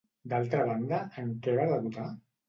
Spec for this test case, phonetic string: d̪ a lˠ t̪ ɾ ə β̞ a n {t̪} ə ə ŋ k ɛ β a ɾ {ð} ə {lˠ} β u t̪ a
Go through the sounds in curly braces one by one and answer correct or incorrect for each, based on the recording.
incorrect, correct, incorrect

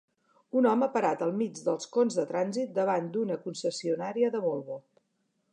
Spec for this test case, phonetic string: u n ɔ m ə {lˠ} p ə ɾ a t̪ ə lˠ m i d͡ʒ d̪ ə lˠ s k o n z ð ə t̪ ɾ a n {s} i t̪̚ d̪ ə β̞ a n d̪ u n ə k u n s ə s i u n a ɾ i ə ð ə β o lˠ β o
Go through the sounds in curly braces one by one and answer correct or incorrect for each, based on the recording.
incorrect, incorrect

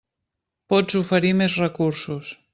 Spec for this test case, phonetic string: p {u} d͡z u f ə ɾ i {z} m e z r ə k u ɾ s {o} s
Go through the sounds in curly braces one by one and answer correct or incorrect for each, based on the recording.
incorrect, incorrect, incorrect

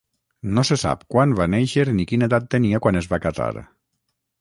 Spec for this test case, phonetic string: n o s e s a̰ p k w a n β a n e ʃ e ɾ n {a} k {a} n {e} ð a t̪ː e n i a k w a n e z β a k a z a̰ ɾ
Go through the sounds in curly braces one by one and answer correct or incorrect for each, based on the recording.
incorrect, incorrect, correct

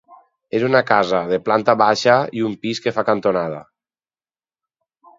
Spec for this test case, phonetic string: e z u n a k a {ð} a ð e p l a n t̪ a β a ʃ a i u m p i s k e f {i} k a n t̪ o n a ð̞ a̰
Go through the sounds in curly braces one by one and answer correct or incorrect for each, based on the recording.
incorrect, incorrect

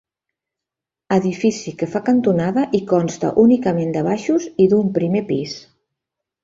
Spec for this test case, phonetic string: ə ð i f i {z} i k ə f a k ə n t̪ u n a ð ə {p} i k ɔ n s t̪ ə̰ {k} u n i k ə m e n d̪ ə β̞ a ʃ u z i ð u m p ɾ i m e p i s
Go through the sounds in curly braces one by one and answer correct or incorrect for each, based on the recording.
incorrect, incorrect, incorrect

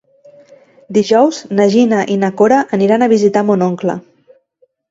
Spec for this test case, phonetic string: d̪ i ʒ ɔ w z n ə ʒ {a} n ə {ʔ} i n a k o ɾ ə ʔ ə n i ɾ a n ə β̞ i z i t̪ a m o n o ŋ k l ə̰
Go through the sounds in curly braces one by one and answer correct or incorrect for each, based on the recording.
incorrect, correct

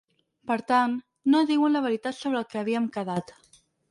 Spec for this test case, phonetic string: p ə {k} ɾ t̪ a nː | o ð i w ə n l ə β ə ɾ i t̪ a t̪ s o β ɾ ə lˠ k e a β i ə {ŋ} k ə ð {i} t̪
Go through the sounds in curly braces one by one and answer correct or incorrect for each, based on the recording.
incorrect, incorrect, incorrect

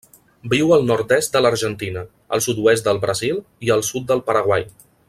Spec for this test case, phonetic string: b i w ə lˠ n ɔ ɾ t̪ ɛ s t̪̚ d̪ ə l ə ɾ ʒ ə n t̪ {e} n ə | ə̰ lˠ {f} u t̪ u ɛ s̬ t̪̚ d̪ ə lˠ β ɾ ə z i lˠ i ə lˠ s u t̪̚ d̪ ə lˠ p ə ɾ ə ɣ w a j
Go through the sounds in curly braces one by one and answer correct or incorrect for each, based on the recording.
incorrect, incorrect

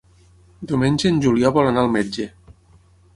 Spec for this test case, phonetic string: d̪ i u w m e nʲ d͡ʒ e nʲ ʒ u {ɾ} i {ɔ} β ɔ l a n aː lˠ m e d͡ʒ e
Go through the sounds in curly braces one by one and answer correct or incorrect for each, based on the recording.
incorrect, correct

